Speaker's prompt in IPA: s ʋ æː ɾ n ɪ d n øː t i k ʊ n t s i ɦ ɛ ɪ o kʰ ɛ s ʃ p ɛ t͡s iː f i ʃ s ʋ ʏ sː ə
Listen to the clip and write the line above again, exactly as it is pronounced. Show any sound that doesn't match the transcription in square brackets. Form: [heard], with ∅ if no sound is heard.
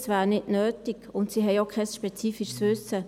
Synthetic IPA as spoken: s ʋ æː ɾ n ɪ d n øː t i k ʊ n t s i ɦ ɛ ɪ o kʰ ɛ s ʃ p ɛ t͡s iː f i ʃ s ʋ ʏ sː ə